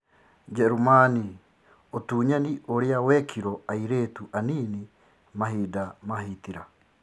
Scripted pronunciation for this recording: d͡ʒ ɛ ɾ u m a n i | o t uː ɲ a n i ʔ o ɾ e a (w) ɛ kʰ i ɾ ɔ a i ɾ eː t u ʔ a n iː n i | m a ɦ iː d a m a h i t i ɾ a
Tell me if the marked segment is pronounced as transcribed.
yes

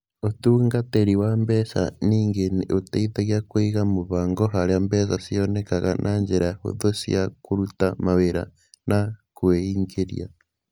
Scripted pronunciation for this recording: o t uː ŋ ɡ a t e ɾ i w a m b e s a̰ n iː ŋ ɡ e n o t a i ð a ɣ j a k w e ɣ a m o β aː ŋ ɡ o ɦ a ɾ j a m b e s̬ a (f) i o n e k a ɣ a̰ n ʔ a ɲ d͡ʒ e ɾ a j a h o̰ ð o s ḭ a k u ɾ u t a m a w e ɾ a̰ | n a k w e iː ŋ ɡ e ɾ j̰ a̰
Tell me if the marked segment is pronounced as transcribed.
no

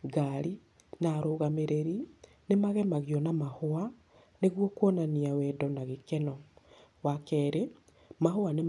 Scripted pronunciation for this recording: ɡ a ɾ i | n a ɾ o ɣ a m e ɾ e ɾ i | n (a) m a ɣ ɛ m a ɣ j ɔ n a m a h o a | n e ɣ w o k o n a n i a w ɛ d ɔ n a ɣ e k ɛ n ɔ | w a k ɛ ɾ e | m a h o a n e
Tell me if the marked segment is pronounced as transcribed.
no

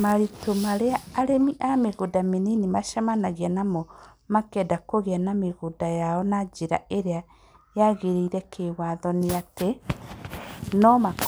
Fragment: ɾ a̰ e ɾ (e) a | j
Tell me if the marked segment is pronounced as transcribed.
yes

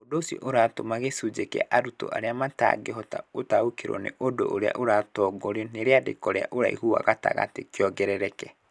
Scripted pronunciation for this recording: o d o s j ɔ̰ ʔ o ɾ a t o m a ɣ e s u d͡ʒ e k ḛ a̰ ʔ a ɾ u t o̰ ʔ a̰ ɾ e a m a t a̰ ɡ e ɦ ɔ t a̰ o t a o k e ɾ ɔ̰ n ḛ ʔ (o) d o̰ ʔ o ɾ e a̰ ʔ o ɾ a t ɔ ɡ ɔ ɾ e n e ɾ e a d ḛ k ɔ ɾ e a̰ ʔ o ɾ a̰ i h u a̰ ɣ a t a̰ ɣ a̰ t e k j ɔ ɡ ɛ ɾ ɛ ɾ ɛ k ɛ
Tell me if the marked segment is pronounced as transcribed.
yes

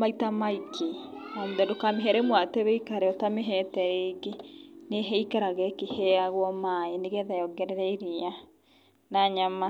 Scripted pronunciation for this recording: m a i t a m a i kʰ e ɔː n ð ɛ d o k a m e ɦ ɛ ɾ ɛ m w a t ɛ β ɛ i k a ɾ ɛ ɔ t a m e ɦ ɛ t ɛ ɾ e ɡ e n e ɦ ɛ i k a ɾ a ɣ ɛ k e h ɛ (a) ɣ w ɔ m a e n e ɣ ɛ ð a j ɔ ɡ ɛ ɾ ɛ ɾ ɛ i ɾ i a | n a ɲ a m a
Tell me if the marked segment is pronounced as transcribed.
yes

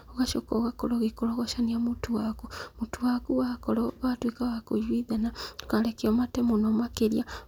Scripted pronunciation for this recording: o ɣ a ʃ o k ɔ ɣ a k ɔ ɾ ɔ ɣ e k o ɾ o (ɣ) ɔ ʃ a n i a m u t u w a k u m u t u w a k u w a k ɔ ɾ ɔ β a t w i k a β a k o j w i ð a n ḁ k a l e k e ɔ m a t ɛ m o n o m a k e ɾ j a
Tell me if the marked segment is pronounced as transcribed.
yes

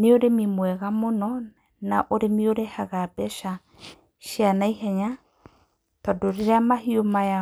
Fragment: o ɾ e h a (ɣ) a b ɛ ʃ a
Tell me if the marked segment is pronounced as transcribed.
yes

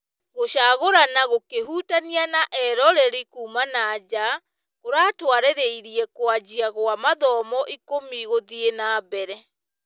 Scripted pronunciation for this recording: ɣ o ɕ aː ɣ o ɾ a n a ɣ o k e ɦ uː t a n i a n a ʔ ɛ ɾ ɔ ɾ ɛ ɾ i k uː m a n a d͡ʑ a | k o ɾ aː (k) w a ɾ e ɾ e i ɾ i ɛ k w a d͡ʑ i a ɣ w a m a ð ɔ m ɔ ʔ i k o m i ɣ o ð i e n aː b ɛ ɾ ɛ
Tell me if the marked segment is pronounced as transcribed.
no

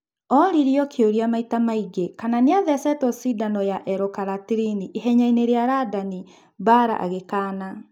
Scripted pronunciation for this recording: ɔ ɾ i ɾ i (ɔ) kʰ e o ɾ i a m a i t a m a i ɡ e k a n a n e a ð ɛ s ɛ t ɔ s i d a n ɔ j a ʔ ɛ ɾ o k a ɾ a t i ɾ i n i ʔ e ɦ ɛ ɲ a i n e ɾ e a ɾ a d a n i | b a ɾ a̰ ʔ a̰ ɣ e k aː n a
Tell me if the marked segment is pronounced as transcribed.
yes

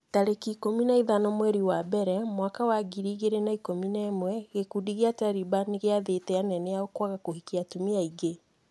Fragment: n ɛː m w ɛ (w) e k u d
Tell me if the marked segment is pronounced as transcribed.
no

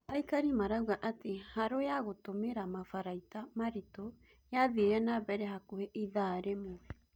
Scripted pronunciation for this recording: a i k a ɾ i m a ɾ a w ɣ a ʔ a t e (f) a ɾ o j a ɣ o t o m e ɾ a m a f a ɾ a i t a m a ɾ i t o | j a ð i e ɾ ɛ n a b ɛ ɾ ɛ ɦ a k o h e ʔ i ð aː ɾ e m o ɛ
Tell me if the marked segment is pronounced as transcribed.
no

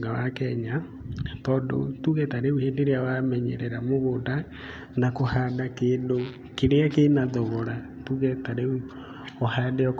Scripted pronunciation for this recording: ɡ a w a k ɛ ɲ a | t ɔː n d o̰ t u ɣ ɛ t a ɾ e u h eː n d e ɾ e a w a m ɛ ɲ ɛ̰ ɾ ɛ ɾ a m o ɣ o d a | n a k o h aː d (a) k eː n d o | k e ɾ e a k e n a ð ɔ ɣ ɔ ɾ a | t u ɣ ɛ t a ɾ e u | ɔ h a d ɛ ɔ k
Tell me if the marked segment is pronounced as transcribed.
yes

